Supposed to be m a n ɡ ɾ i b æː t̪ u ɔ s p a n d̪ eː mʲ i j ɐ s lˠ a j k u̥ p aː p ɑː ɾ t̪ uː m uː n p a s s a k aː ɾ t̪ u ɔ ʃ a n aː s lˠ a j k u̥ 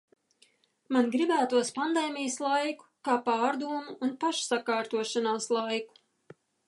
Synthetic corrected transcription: m a n ɡ ɾ i b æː t̪ u ɔ s p a n d̪ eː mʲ i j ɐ s lˠ a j k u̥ k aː p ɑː ɾ d̪ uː m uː n p a ʃ s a k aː ɾ t̪ u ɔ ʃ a n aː s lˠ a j k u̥